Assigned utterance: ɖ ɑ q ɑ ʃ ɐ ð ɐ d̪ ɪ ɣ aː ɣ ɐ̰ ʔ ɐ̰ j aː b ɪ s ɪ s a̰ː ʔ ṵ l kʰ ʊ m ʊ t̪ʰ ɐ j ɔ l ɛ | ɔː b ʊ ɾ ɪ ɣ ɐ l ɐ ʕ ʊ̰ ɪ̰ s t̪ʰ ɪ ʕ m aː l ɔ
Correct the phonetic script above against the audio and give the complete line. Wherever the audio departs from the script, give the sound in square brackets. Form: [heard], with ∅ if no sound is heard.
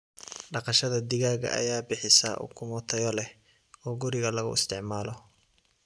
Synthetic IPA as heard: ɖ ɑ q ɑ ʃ ɐ ð ɐ d̪ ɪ ɣ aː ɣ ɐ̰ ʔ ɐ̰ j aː b ɪ [ħ] ɪ s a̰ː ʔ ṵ [∅] kʰ ʊ m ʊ t̪ʰ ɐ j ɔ l ɛ | ɔː [ɡ] ʊ ɾ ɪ ɣ ɐ l ɐ [ɣ] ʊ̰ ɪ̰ s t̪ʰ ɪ ʕ m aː l ɔ